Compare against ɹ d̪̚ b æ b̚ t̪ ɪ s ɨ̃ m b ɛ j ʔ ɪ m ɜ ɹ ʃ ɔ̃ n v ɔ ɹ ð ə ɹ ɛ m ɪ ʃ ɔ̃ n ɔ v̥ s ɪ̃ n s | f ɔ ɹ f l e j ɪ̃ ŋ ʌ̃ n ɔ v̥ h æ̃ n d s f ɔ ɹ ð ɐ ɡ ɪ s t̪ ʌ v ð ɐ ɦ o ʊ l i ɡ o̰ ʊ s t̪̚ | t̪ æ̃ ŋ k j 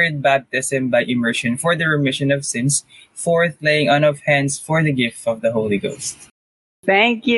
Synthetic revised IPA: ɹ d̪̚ b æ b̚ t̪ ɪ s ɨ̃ m b a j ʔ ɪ m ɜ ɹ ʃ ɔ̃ n f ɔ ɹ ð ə ɹ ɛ m ɪ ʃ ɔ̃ n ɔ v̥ s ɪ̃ n s | f ɔ ɹ θ l e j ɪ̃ ŋ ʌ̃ n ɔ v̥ h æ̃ n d s f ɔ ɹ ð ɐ ɡ ɪ f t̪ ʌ v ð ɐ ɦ o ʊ l i ɡ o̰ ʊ s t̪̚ | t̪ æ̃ ŋ k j